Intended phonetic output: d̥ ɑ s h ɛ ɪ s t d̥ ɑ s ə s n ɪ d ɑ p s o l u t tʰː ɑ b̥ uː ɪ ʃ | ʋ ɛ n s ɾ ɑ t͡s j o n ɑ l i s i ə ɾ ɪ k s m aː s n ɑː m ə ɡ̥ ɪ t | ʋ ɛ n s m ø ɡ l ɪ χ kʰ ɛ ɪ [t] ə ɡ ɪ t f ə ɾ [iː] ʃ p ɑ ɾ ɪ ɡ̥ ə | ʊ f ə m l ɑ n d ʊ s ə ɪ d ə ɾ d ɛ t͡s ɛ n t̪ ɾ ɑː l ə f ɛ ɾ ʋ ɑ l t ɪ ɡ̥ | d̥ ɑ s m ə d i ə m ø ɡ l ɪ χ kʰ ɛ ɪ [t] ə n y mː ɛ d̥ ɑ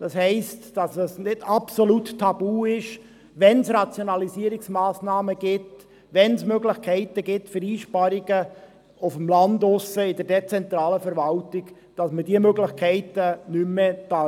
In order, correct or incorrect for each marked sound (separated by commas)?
correct, correct, correct